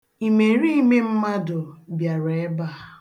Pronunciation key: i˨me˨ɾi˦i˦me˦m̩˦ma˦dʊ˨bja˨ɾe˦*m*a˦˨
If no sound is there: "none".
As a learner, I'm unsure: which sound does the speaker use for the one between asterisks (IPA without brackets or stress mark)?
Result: b